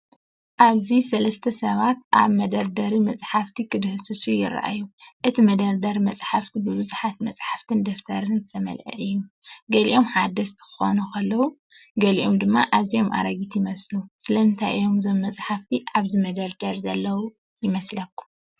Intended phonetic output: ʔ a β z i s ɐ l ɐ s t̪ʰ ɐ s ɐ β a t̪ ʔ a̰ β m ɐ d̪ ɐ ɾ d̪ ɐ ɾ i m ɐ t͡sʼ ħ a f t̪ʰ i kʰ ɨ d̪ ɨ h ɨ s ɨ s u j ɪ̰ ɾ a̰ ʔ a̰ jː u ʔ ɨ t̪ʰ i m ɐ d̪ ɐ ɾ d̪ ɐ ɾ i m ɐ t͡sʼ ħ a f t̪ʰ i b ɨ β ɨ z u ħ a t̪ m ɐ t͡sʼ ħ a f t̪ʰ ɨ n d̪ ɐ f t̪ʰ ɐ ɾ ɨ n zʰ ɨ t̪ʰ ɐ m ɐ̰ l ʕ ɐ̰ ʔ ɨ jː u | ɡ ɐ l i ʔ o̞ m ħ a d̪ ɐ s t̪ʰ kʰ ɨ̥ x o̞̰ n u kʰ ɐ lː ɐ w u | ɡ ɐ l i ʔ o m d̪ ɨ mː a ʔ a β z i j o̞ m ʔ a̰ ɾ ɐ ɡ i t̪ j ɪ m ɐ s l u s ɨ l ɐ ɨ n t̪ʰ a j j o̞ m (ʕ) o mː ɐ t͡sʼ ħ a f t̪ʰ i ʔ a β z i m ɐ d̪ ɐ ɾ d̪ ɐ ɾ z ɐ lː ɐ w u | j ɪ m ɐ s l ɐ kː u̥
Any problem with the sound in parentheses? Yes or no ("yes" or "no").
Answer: yes